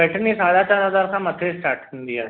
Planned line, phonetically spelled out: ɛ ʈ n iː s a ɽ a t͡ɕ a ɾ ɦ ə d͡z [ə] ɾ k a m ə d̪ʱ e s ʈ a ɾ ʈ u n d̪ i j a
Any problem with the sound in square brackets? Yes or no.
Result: yes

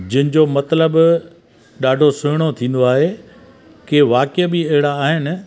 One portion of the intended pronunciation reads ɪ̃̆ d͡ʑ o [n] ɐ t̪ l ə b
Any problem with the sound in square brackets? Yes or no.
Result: yes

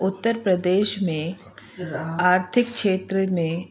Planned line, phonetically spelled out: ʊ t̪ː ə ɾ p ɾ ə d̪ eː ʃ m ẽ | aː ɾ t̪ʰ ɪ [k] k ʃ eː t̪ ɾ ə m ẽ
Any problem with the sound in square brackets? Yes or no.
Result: no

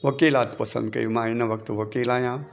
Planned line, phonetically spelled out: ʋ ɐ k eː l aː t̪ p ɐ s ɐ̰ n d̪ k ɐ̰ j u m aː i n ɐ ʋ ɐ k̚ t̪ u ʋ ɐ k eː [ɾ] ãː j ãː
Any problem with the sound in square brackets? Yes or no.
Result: yes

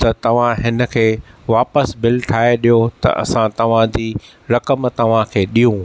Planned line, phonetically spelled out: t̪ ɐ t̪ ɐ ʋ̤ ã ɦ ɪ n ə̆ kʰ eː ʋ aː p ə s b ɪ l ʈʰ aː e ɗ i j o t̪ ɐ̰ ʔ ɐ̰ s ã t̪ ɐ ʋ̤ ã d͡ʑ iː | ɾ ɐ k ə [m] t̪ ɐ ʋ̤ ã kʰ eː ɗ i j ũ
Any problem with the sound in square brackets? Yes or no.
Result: no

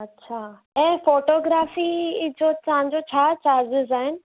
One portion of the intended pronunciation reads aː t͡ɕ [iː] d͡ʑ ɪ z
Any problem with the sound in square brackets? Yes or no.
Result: yes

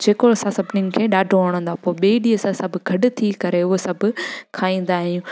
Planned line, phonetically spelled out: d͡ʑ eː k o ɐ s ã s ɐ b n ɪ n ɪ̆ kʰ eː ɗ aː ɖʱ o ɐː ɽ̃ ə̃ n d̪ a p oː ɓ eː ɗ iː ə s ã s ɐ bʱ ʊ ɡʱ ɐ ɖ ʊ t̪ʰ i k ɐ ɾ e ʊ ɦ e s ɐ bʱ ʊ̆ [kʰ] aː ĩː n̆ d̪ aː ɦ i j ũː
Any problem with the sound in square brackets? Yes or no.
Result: no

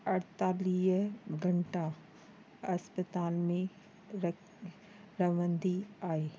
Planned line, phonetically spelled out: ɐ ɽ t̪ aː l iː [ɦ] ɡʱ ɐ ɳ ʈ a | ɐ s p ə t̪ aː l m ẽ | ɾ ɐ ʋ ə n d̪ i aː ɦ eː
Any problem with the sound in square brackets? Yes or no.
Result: no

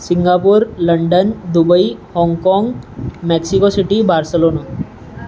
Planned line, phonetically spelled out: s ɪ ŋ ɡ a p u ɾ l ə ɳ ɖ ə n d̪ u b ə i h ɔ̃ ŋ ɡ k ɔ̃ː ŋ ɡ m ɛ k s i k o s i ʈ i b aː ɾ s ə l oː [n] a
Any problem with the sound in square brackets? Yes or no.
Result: no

